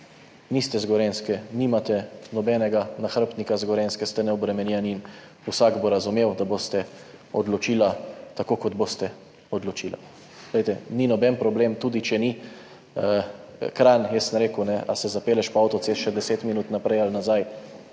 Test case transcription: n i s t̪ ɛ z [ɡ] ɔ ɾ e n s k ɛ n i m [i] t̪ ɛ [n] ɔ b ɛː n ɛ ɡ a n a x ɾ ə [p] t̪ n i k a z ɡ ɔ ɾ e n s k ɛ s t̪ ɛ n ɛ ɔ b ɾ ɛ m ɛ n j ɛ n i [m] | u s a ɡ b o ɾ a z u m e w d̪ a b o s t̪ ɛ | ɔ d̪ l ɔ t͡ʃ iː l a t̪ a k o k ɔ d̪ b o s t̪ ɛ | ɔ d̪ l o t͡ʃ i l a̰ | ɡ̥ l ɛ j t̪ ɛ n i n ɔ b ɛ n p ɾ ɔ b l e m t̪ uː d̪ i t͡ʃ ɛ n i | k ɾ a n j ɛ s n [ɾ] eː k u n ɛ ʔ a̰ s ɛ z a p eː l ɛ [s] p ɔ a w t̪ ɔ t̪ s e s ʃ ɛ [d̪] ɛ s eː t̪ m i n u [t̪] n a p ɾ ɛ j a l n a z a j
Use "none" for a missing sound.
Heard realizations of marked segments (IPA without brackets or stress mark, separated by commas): ɡ, a, n, p, n, ɾ, ʃ, d̪, t̪